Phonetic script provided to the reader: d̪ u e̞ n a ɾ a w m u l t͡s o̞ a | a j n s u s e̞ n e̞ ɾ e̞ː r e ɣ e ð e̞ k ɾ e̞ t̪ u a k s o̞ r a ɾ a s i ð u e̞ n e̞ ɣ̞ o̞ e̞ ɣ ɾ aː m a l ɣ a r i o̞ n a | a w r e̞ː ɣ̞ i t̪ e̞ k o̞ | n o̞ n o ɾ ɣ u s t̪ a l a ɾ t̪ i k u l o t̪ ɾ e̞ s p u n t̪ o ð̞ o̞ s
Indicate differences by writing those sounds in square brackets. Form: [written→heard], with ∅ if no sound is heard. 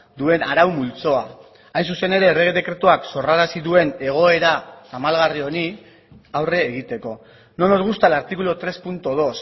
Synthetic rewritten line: d̪ u e̞ n a ɾ a w m u l t͡s o̞ a | a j n s u s e̞ n e̞ ɾ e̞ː r e ɣ e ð e̞ k ɾ e̞ t̪ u a k s o̞ r a ɾ a s i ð u e̞ n e̞ ɣ̞ o̞ e̞ [ɣ→∅] ɾ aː m a l ɣ a r i o̞ n [a→i] | a w r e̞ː ɣ̞ i t̪ e̞ k o̞ | n o̞ n o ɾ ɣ u s t̪ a l a ɾ t̪ i k u l o t̪ ɾ e̞ s p u n t̪ o ð̞ o̞ s